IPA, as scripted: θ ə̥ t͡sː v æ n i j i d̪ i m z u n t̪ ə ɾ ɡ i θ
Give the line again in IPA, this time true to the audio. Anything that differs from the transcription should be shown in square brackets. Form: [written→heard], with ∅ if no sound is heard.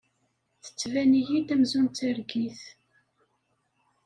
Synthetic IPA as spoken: θ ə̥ t͡sː v æ n i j i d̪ [i→æ] m z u n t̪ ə ɾ ɡ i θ